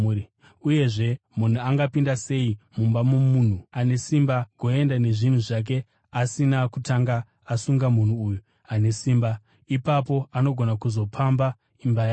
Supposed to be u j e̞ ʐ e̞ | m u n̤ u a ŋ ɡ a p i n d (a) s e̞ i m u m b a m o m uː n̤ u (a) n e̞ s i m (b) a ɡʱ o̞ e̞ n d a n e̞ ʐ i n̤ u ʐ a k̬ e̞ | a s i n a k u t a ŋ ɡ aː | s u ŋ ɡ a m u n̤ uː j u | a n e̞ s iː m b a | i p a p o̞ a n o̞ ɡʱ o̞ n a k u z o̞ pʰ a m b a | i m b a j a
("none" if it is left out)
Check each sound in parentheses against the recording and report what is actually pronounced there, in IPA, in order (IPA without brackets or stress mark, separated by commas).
a, a, b